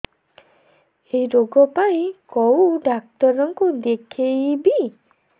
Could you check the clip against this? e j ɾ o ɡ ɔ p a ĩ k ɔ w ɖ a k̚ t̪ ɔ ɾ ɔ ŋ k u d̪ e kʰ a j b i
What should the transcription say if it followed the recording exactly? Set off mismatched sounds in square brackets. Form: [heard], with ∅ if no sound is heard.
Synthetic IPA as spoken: e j ɾ o ɡ ɔ p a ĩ k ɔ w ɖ a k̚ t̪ ɔ ɾ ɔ ŋ k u d̪ e kʰ [e] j b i